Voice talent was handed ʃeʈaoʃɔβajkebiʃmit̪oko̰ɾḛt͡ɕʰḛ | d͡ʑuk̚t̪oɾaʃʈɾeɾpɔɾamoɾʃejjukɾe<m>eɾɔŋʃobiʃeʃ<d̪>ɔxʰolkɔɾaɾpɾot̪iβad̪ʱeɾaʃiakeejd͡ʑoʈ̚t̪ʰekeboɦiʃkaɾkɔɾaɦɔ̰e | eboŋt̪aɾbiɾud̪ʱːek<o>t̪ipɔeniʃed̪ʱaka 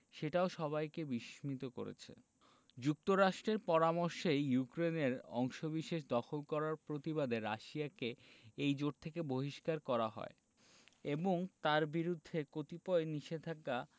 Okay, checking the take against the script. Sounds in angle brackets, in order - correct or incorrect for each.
incorrect, correct, correct

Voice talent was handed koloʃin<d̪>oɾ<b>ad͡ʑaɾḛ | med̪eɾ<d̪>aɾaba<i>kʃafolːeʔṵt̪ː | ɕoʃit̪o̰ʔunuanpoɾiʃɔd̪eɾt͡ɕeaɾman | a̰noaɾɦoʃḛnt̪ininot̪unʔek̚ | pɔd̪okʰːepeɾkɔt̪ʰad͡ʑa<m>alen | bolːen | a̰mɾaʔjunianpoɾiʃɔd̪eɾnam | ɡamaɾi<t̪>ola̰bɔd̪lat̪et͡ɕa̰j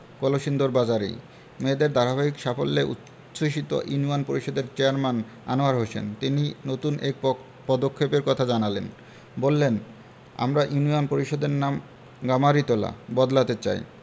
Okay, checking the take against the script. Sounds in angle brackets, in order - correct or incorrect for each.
correct, correct, correct, correct, incorrect, correct

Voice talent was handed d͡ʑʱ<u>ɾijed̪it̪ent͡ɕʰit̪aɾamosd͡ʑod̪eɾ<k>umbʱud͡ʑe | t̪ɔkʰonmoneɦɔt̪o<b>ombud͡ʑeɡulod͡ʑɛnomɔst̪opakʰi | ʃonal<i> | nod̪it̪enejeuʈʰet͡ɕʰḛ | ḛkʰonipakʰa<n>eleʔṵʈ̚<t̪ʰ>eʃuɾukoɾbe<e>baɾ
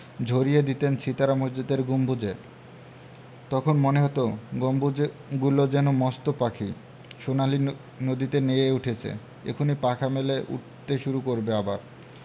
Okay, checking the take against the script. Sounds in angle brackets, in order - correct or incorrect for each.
incorrect, incorrect, incorrect, correct, incorrect, incorrect, incorrect

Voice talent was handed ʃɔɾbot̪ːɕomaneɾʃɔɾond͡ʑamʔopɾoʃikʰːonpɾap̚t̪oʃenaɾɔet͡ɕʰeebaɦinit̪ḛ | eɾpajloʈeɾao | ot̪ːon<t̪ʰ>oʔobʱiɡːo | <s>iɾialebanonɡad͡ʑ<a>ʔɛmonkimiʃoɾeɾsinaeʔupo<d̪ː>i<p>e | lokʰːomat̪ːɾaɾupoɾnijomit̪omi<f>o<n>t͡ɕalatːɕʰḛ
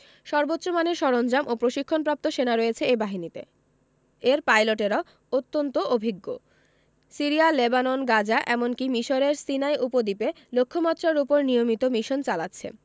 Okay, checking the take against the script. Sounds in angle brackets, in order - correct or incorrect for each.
incorrect, correct, correct, incorrect, correct, incorrect, correct

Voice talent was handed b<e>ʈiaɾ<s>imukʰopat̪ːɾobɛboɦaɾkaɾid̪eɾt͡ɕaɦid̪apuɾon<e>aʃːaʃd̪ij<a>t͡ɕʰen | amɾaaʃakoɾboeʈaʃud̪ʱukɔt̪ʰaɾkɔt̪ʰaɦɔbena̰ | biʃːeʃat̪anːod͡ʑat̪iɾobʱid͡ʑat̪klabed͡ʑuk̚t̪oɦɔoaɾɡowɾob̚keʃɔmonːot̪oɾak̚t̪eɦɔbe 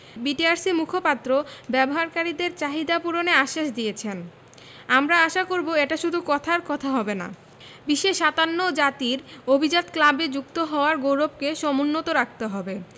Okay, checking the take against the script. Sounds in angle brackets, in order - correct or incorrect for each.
incorrect, correct, correct, incorrect

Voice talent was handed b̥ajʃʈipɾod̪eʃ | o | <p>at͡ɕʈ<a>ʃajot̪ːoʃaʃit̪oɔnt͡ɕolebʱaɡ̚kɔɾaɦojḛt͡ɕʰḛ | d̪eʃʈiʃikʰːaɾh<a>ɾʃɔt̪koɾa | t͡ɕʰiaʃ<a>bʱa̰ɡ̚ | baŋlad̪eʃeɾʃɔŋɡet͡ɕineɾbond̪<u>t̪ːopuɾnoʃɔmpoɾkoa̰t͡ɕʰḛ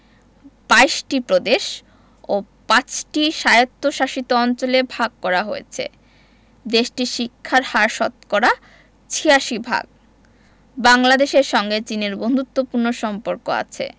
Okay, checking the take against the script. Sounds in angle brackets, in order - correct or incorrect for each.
correct, incorrect, correct, incorrect, correct

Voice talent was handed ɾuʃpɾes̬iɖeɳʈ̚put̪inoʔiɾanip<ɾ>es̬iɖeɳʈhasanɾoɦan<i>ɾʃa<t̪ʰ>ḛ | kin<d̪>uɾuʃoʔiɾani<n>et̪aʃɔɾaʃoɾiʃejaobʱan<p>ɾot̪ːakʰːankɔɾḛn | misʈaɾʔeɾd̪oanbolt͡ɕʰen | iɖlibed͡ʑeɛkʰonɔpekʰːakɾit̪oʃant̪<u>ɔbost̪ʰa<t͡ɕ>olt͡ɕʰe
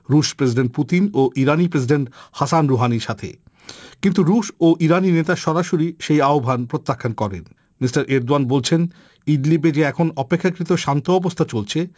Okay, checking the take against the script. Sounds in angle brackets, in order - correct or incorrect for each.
correct, correct, correct, incorrect, correct, correct, incorrect, correct

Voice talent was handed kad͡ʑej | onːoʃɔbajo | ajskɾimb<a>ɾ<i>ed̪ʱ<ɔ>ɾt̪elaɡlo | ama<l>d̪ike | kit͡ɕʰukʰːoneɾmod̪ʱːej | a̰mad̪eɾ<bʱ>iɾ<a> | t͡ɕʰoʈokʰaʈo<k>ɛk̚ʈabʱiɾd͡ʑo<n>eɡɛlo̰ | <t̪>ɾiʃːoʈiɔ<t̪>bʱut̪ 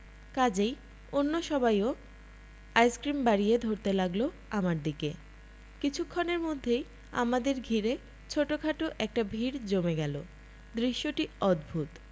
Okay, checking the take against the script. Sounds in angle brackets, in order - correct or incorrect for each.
correct, correct, incorrect, incorrect, incorrect, incorrect, incorrect, incorrect, incorrect, incorrect

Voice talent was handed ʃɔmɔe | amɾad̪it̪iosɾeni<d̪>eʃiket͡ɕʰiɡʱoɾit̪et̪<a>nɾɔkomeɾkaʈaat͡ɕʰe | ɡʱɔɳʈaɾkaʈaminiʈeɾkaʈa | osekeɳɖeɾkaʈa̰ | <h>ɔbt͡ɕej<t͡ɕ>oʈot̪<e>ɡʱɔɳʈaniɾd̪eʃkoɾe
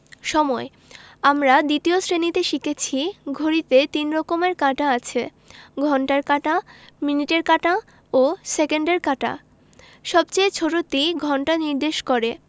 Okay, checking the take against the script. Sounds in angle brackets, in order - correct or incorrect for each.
incorrect, incorrect, incorrect, incorrect, incorrect

